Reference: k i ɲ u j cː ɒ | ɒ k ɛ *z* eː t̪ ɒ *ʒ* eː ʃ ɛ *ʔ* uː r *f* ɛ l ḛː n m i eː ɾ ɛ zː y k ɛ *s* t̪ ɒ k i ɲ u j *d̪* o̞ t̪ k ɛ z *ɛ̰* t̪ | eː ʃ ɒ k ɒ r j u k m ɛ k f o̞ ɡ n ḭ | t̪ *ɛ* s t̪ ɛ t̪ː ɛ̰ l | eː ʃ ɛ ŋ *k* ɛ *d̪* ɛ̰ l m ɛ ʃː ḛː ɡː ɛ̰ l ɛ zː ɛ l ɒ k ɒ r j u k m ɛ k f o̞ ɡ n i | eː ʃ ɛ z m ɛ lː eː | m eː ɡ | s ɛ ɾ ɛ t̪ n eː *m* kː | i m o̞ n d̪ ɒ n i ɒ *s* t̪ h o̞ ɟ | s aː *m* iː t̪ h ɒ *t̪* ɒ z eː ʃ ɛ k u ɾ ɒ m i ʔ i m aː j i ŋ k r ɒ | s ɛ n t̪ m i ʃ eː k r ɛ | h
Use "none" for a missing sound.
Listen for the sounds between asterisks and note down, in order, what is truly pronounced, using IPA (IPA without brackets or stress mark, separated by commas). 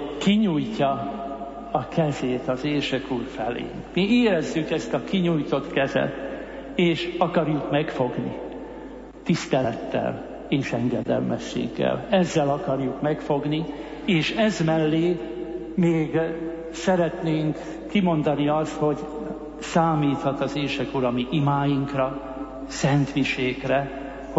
z, z, k, f, s, t̪, ɛ̰, i, ɡ, d̪, ŋ, s, m, t̪